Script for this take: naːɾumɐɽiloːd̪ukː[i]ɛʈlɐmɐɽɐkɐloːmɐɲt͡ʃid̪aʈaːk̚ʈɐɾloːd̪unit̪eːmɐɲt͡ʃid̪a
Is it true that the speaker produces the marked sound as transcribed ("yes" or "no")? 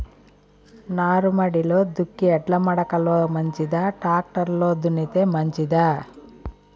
yes